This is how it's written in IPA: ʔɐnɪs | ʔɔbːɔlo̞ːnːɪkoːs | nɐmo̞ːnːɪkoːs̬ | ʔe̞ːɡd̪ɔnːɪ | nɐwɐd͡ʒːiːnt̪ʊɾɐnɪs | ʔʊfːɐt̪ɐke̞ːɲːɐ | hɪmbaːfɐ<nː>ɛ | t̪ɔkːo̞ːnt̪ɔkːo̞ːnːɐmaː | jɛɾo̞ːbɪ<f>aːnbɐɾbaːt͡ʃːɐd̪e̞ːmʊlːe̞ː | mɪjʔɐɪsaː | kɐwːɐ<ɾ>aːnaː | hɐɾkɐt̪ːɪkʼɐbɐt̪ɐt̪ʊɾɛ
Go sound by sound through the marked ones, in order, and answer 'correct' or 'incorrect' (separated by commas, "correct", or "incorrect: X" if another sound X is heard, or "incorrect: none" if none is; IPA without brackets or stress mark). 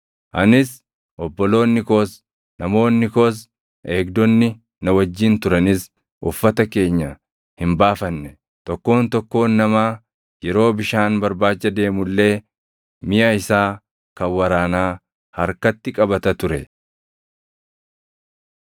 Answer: correct, incorrect: ʃ, correct